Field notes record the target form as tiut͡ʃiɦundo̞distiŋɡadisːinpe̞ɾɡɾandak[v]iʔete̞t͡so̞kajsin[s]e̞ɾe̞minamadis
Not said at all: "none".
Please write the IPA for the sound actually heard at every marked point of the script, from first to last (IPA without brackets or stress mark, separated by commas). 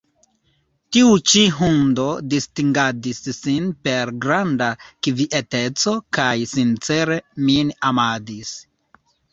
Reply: v, t͡s